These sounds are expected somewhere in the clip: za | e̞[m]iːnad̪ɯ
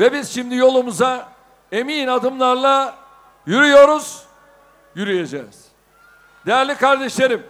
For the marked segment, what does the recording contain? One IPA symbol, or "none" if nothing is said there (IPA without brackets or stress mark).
m